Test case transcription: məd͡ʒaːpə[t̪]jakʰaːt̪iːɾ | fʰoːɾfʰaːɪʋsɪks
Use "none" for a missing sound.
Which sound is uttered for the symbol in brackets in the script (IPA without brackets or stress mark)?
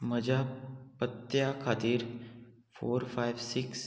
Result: t̪